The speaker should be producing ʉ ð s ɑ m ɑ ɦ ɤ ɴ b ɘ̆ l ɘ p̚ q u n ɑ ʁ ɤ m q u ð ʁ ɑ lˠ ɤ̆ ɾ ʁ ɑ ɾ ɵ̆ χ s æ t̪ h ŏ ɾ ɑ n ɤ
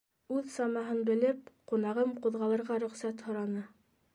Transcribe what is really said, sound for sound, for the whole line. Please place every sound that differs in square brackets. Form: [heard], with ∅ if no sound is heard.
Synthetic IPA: ʉ ð s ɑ m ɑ ɦ ɤ [n] b ɘ̆ l ɘ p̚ q u n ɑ ʁ ɤ m q u ð ʁ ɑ lˠ ɤ̆ ɾ ʁ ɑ ɾ ɵ̆ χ s æ t̪ h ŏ ɾ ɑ n ɤ